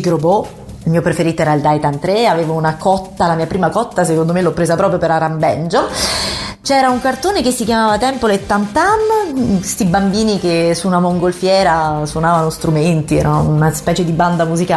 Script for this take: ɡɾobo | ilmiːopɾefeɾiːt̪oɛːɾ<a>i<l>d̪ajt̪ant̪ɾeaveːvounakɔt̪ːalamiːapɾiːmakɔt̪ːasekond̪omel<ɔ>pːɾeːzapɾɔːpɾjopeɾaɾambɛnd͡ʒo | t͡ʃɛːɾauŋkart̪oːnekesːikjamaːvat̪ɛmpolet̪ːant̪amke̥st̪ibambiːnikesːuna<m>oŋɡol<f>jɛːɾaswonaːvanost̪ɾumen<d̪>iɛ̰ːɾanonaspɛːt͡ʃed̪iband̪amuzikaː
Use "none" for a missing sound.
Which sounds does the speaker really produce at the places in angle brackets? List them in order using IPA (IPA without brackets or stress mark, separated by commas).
a, l, ɔ, m, f, t̪